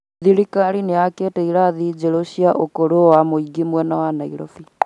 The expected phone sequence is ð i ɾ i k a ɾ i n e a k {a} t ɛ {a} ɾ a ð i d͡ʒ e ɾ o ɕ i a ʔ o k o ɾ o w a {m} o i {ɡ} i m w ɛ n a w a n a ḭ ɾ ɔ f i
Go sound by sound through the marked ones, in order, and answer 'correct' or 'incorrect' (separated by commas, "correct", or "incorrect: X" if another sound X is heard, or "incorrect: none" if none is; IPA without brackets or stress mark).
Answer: incorrect: e, incorrect: i, correct, correct